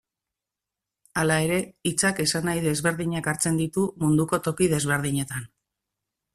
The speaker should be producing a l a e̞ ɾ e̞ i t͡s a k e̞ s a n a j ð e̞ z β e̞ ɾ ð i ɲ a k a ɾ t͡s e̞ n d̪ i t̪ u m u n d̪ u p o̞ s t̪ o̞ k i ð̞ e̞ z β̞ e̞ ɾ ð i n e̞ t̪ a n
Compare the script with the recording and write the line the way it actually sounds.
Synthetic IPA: a l a e̞ ɾ e̞ i t͡s a k e̞ s a n a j ð e̞ z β e̞ ɾ ð i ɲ a k a ɾ t͡s e̞ n d̪ i t̪ u m u n d̪ u k o̞ t̪ o̞ k i ð̞ e̞ z β̞ e̞ ɾ ð i ɲ e̞ t̪ a n